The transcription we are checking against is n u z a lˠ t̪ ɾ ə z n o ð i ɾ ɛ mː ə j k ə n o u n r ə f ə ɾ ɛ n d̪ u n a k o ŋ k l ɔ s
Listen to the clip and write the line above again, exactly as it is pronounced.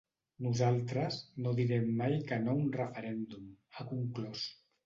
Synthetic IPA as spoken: n u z a lˠ t̪ ɾ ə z n o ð i ɾ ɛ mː a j k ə n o u n r ə f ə ɾ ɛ n d̪ u m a k u ŋ k l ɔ s